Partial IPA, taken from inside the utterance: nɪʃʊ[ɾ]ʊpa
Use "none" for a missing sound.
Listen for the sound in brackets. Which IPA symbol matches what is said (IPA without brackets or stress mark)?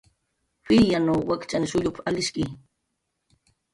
ʎ